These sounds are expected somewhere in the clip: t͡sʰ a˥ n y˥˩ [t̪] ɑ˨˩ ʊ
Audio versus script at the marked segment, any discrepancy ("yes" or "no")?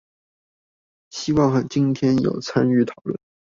yes